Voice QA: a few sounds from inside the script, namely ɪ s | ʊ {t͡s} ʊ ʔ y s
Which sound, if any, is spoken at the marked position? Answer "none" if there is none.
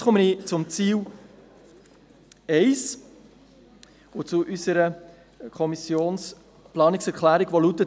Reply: t͡s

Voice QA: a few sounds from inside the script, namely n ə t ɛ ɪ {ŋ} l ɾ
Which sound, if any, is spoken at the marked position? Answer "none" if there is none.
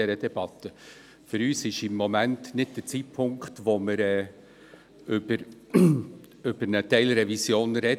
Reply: none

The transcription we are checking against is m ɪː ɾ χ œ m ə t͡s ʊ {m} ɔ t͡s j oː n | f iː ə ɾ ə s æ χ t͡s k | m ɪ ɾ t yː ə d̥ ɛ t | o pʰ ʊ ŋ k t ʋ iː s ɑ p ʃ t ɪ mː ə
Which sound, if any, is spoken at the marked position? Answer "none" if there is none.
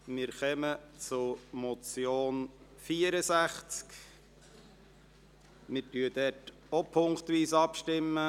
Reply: m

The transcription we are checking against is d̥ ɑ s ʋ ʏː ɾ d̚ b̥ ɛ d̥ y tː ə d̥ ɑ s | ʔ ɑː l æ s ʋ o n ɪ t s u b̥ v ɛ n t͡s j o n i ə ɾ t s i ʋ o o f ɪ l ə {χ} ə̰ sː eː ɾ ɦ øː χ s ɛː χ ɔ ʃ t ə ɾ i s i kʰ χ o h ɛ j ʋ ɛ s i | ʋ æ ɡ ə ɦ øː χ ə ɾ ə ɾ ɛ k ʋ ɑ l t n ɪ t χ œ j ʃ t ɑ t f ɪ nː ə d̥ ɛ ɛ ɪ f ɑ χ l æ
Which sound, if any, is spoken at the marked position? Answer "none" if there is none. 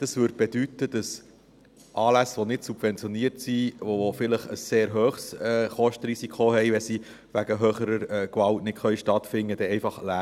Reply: χ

